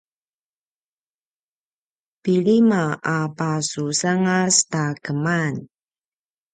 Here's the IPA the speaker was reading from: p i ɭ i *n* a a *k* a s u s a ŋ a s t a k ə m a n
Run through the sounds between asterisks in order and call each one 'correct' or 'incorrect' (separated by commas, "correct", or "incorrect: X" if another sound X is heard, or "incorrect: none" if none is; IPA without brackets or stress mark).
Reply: incorrect: m, incorrect: p